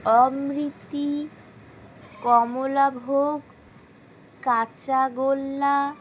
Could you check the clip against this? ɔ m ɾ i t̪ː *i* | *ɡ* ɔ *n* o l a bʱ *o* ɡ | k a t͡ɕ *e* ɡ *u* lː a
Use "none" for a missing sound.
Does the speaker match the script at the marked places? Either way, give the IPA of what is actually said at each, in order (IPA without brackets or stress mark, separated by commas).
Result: i, k, m, o, a, o